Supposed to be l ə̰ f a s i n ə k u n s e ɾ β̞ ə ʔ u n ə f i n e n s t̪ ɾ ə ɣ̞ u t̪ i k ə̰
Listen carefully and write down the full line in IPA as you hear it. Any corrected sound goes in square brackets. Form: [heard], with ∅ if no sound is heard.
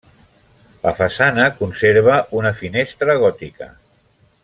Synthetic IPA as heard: l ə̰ f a s [a] n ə k u n s e ɾ β̞ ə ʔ u n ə f i n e [∅] s t̪ ɾ ə ɣ̞ [ɔ] t̪ i k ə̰